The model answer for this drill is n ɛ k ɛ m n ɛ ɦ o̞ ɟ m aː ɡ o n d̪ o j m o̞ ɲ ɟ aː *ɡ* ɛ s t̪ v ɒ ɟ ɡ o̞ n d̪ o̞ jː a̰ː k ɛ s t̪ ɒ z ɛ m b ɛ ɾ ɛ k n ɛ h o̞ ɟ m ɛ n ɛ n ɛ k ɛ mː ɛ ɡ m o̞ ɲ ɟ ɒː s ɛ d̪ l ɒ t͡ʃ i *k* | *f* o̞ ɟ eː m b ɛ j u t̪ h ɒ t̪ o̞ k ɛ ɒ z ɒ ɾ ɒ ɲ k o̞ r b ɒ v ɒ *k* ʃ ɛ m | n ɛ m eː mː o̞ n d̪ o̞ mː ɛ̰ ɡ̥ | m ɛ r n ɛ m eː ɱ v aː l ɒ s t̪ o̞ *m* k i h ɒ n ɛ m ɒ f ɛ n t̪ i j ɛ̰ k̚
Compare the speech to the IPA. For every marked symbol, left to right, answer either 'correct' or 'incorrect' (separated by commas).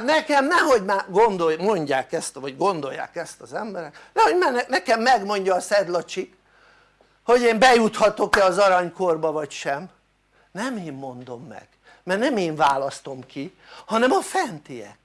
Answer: incorrect, correct, incorrect, incorrect, correct